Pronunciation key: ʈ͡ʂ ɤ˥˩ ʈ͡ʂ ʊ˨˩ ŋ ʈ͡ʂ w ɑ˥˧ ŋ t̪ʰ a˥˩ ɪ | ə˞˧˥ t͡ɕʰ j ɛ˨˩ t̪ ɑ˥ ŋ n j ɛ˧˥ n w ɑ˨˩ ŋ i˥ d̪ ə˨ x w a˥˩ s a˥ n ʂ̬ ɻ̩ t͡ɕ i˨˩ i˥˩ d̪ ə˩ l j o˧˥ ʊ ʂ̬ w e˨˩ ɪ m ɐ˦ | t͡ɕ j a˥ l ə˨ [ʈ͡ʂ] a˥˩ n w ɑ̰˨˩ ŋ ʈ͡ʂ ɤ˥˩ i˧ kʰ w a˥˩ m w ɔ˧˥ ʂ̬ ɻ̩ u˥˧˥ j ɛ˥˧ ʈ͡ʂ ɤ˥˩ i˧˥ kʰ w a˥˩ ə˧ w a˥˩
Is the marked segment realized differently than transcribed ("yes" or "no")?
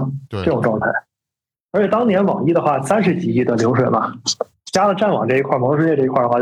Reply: no